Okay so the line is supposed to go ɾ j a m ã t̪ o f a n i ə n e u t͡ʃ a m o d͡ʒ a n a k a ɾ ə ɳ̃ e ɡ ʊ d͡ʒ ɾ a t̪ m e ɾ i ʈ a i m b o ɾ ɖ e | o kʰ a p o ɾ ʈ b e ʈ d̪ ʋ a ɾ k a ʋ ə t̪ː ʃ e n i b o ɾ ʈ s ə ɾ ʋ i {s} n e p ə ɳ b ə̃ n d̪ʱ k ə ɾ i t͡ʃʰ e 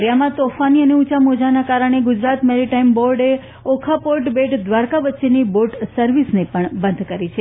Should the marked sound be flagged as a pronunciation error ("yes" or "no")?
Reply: no